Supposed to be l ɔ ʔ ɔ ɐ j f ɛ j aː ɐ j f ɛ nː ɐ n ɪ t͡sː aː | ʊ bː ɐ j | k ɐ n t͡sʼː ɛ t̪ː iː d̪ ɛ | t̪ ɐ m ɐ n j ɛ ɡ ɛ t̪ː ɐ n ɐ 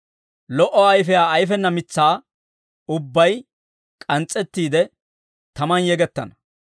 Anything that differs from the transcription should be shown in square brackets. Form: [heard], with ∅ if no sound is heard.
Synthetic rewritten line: l ɔ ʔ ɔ ɐ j f ɛ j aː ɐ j f ɛ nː ɐ [m] ɪ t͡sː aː | ʊ bː ɐ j | [kʼ] ɐ n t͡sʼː ɛ t̪ː iː d̪ ɛ | t̪ ɐ m ɐ n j ɛ ɡ ɛ t̪ː ɐ n ɐ

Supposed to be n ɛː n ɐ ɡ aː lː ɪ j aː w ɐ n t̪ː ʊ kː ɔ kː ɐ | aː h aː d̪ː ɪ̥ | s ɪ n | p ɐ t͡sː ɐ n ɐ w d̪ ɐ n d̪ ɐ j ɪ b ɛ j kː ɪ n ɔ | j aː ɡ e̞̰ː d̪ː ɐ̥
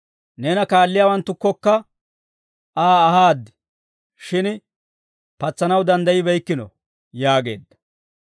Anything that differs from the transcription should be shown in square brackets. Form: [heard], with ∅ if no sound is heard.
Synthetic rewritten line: n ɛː n ɐ [k] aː lː ɪ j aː w ɐ n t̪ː ʊ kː ɔ kː ɐ | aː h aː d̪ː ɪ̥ | [ʃ] ɪ n | p ɐ t͡sː ɐ n ɐ w d̪ ɐ n d̪ ɐ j ɪ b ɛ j kː ɪ n ɔ | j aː ɡ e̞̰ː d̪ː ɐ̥

